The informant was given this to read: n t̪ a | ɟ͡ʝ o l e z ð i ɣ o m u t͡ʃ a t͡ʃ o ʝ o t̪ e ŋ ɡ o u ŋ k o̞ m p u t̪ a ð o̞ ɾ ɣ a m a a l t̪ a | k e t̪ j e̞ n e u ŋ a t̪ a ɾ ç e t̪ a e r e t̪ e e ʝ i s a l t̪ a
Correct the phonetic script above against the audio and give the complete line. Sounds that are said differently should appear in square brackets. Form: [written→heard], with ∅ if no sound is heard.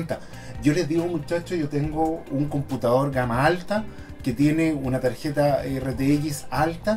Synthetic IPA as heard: n t̪ a | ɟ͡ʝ o l e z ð i ɣ o m u t͡ʃ a t͡ʃ o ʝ o t̪ e ŋ ɡ o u ŋ k o̞ m p u t̪ a ð o̞ ɾ ɣ a m a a l t̪ a | k e t̪ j e̞ n e u [ŋ→n] a t̪ a ɾ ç e t̪ a e r e t̪ e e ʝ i s a l t̪ a